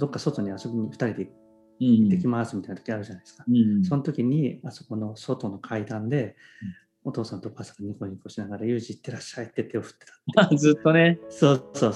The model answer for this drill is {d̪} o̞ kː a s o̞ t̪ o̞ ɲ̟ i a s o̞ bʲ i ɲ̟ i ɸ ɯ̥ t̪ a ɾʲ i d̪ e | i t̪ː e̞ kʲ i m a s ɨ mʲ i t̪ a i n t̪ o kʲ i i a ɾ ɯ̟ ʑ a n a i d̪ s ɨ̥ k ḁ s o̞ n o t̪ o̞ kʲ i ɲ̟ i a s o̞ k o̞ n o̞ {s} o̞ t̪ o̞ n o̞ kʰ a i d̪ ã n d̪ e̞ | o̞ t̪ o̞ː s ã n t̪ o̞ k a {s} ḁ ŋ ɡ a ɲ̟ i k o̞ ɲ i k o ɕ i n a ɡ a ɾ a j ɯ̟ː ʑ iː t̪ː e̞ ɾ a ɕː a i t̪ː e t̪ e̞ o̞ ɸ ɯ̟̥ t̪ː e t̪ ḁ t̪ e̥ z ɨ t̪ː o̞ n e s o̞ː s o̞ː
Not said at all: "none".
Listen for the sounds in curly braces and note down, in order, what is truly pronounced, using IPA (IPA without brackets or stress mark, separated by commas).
d̪, s, s